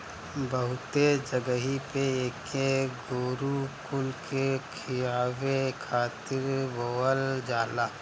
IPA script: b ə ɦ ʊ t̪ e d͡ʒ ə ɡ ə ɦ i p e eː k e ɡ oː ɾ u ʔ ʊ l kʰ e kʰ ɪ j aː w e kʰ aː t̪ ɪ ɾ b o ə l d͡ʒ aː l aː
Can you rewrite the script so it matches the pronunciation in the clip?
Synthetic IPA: b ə ɦ ʊ t̪ e d͡ʒ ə ɡ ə ɦ i p e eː k e ɡ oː ɾ u k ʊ l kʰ e kʰ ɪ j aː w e kʰ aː t̪ ɪ ɾ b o ə l d͡ʒ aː l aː

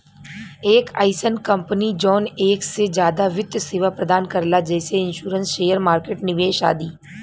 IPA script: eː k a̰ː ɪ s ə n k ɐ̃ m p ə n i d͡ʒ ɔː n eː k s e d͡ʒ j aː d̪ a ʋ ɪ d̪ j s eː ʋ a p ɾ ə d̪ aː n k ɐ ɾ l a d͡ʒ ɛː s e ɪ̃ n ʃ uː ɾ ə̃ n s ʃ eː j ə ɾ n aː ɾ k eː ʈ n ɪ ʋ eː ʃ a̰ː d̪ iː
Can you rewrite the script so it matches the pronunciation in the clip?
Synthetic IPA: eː k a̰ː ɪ s ə n k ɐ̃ m p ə n i d͡ʒ ɔː n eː k s e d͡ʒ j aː d̪ a ʋ ɪ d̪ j s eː ʋ a p ɾ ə d̪ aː n k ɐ ɾ l a d͡ʒ ɛː s e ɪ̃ n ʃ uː ɾ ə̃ n s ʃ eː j ə ɾ m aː ɾ k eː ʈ n ɪ ʋ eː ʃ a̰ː d̪ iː

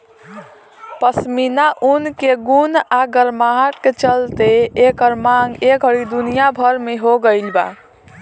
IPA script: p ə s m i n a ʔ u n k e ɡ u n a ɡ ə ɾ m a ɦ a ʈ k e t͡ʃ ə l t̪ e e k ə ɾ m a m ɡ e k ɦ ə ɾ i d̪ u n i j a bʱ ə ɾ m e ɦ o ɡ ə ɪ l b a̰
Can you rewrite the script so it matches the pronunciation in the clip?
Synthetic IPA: p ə s m i n a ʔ u n k e ɡ u n a ɡ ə ɾ m a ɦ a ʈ k e t͡ʃ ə l t̪ e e k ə ɾ m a ŋ ɡ e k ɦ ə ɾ i d̪ u n i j a bʱ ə ɾ m e ɦ o ɡ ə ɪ l b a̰

